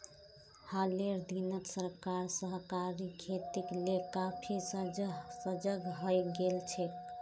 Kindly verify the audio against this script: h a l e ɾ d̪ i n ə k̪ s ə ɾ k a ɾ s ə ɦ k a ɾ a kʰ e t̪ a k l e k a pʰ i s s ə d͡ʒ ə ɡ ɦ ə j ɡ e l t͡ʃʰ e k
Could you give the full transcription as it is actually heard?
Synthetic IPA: h a l e ɾ d̪ i n ə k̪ s ə ɾ k a ɾ s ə ɦ k a ɾ i kʰ e t̪ i k l e k a pʰ i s s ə d͡ʒ ə ɡ ɦ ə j ɡ e l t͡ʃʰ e k